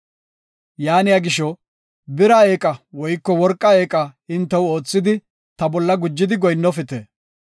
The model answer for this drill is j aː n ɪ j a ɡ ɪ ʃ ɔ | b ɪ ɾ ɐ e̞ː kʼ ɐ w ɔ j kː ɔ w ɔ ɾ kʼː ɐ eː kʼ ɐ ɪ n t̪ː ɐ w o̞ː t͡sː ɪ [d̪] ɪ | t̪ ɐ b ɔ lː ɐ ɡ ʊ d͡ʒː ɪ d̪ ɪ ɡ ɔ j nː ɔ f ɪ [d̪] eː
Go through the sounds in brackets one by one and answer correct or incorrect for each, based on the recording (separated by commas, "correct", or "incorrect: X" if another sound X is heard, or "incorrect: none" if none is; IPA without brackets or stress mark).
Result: correct, incorrect: t̪